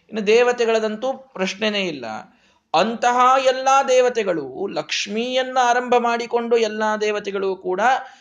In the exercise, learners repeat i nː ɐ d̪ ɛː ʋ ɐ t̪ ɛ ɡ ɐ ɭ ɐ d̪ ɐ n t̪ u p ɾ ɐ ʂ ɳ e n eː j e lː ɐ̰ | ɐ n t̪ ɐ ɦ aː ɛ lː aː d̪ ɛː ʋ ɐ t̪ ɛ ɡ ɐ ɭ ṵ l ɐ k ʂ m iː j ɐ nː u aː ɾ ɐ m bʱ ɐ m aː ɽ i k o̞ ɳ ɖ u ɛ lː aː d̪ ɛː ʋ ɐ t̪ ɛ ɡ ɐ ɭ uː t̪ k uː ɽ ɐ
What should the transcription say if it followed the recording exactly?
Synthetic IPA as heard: i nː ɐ d̪ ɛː ʋ ɐ t̪ ɛ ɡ ɐ ɭ ɐ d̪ ɐ n t̪ u p ɾ ɐ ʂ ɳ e n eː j i lː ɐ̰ | ɐ n t̪ ɐ ɦ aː ɛ lː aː d̪ ɛː ʋ ɐ t̪ ɛ ɡ ɐ ɭ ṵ l ɐ k ʂ m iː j ɐ nː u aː ɾ ɐ m bʱ ɐ m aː ɽ i k o̞ ɳ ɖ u ɛ lː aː d̪ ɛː ʋ ɐ t̪ ɛ ɡ ɐ ɭ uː k uː ɽ ɐ